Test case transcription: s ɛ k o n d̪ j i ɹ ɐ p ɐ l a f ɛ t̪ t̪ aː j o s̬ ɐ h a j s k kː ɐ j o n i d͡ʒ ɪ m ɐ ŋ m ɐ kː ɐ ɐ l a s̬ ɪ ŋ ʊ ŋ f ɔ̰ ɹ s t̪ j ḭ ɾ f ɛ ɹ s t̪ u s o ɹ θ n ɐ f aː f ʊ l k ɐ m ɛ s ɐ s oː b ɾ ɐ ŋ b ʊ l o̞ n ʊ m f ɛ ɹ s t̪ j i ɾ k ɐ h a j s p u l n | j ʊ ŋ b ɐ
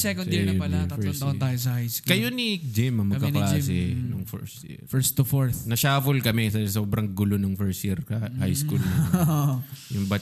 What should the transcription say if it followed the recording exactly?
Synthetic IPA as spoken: s ɛ k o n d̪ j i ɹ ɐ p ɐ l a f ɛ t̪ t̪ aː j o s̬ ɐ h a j s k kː ɐ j o n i d͡ʒ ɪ m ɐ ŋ m ɐ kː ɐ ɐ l a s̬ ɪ n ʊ ŋ f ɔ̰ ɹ s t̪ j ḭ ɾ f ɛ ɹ s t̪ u f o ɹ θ n ɐ ʃ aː f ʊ l k ɐ m ɛ s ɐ s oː b ɾ ɐ ŋ ɡ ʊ l o̞ n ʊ ŋ f ɛ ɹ s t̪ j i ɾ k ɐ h a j s k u l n | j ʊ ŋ b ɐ